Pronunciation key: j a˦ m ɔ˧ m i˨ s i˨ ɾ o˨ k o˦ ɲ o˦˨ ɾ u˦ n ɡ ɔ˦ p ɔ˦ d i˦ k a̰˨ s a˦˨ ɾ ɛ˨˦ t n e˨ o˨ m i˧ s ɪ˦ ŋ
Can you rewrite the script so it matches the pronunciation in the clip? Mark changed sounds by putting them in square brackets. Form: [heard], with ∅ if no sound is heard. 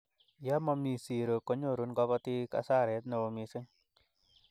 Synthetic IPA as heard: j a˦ m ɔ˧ m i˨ s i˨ ɾ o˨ k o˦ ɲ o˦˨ ɾ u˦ n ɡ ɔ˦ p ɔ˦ [t] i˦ k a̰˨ s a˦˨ ɾ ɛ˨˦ t n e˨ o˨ m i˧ s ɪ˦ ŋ